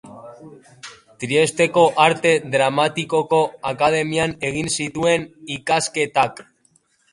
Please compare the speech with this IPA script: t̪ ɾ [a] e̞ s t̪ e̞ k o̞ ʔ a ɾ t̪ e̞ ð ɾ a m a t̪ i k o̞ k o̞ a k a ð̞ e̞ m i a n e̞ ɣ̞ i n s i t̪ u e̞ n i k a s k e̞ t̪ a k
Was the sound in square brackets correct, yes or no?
no